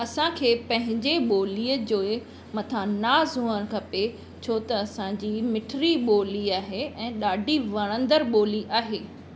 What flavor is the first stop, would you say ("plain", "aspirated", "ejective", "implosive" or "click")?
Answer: aspirated